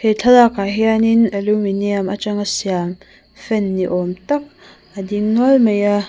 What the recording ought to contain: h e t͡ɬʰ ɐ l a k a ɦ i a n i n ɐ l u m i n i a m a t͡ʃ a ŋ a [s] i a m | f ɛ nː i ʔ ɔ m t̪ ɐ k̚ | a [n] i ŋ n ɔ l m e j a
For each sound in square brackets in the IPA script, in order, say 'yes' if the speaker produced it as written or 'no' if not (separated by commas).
yes, no